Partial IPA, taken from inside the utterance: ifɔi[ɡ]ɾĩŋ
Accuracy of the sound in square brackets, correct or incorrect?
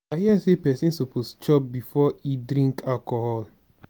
incorrect